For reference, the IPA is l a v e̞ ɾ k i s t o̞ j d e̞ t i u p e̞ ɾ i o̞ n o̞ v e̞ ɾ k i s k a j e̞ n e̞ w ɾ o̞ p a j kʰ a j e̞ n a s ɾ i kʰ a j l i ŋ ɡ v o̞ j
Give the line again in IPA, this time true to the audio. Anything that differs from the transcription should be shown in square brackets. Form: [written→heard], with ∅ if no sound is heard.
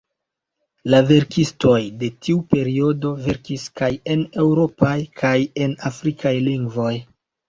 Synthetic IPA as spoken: l a v e̞ ɾ k i s t o̞ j d e̞ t i u p e̞ ɾ i o̞ [n→d] o̞ v e̞ ɾ k i s k a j e̞ n e̞ w ɾ o̞ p a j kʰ a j e̞ n a [s→f] ɾ i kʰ a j l i ŋ ɡ v o̞ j